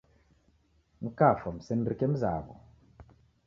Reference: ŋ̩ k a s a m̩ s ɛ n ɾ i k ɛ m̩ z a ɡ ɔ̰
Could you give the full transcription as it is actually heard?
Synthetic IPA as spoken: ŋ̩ k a f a m̩ s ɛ n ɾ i k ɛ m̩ z a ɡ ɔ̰